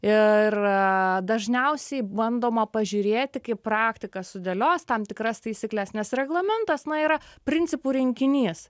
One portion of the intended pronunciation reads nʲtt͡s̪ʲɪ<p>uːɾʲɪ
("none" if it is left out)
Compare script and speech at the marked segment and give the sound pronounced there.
p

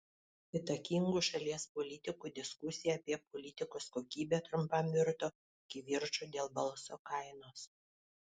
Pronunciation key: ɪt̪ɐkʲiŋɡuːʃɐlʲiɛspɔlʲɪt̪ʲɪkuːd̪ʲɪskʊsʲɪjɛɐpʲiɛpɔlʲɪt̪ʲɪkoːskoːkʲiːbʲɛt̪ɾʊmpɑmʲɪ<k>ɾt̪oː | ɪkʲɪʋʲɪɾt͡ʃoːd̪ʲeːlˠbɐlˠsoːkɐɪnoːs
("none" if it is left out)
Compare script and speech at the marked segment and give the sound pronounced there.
none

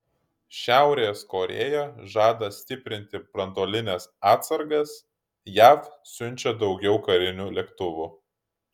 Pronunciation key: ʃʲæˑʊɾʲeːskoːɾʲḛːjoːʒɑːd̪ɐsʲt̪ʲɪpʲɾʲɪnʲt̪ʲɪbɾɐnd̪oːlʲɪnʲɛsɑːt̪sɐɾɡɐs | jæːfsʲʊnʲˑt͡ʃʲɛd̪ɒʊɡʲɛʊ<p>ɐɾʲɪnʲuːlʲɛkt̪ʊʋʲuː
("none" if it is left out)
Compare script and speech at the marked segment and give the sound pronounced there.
k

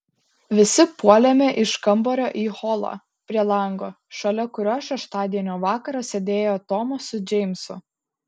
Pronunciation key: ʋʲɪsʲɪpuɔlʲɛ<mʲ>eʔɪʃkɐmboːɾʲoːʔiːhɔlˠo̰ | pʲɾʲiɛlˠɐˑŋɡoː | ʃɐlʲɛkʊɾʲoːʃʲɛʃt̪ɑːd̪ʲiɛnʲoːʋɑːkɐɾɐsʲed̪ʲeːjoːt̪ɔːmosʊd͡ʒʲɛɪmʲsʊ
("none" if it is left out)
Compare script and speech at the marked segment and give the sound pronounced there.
mʲ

